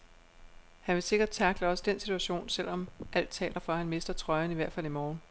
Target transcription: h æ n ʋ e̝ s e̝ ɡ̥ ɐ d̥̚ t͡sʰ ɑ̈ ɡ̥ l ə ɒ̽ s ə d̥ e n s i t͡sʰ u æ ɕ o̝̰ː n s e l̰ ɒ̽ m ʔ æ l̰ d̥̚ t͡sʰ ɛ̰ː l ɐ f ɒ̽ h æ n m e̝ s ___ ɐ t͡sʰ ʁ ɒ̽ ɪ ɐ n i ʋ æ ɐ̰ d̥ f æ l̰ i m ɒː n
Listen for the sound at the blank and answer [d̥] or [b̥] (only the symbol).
d̥